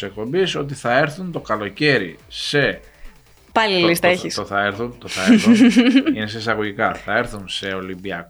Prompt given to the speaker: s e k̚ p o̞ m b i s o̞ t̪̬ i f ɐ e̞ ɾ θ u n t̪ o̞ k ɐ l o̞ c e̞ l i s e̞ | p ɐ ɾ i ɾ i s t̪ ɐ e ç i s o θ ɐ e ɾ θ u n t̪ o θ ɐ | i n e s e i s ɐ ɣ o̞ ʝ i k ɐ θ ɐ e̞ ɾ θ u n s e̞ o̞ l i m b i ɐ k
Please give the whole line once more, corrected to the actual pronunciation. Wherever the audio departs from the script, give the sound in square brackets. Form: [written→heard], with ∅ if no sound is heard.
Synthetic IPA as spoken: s e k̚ p o̞ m b i s o̞ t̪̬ i [f→θ] ɐ e̞ ɾ θ u n t̪ o̞ k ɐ l o̞ c e̞ [l→ɾ] i s e̞ | p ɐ [ɾ→l] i [ɾ→l] i s t̪ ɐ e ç i s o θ ɐ e ɾ θ u n t̪ o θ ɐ | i n e s e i s ɐ ɣ o̞ ʝ i k ɐ θ ɐ e̞ ɾ θ u n s e̞ o̞ l i m b i ɐ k